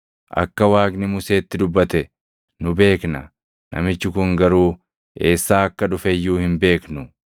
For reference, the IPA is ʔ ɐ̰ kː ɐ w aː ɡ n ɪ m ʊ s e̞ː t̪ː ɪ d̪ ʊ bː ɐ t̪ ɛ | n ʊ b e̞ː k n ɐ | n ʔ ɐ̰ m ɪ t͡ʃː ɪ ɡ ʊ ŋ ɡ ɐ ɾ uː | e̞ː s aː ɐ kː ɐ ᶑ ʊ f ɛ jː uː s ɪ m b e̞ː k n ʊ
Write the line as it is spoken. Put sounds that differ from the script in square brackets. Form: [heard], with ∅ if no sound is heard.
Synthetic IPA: ʔ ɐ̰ kː ɐ w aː ɡ n ɪ m ʊ s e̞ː t̪ː ɪ d̪ ʊ bː ɐ t̪ ɛ | n ʊ b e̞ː k n ɐ | n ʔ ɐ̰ m ɪ t͡ʃː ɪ [k] ʊ ŋ ɡ ɐ ɾ uː | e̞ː [sː] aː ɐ kː ɐ ᶑ ʊ f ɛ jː uː [h] ɪ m b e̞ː k n ʊ